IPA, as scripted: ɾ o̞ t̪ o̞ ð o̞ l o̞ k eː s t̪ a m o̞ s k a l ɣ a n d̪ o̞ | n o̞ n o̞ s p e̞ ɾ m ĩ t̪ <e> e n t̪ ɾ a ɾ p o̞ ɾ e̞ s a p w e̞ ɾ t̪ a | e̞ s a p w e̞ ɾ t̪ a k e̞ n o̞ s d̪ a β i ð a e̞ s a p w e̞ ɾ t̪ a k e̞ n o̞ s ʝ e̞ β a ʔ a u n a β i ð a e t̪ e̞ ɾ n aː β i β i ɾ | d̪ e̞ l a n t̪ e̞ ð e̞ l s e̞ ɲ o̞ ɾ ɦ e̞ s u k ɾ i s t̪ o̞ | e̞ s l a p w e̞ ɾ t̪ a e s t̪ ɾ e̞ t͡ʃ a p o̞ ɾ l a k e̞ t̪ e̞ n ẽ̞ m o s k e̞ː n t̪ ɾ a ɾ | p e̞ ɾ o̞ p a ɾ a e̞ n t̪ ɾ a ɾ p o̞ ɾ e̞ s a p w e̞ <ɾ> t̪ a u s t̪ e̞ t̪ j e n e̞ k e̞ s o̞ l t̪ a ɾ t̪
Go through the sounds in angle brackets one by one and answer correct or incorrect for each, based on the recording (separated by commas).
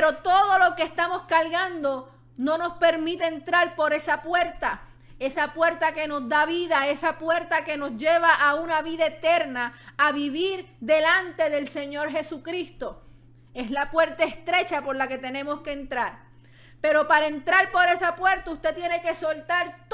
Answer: correct, correct